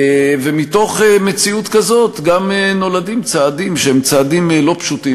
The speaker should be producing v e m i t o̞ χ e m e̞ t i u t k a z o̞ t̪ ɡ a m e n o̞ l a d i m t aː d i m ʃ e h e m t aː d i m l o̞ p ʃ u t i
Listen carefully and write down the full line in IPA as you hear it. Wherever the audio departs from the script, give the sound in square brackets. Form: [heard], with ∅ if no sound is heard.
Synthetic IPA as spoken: v e m i t o̞ χ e m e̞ [t͡s] i u t k a z o̞ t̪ ɡ a m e n o̞ l a d i m [t͡s] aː d i m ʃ e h e m [t͡s] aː d i m l o̞ p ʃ u t i